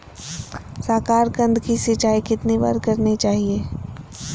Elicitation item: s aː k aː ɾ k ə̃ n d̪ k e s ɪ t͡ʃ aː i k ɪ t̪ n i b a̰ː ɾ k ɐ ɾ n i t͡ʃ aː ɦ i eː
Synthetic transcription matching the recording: s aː k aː ɾ k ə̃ n d̪ k i s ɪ t͡ʃ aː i k ɪ t̪ n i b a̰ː ɾ k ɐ ɾ n i t͡ʃ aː ɦ i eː